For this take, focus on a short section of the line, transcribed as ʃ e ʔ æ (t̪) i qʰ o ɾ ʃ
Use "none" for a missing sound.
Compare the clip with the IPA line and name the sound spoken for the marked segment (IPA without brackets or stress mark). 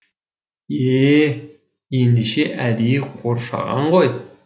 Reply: d̪